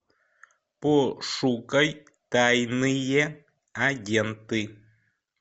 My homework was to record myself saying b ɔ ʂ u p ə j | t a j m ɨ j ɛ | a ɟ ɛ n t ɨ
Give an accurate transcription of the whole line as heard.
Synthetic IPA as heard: p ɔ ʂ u k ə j | t a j n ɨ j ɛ | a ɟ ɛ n t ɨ